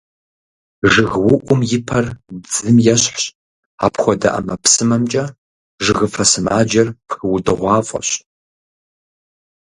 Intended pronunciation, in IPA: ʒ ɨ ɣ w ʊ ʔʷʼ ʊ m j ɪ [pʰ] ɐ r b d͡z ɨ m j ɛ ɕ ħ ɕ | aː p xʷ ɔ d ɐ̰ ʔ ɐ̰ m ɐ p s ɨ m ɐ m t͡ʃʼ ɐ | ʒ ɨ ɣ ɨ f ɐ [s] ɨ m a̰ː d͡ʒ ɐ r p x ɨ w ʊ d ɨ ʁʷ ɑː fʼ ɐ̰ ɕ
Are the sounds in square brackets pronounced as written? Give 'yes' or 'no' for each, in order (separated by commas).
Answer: yes, yes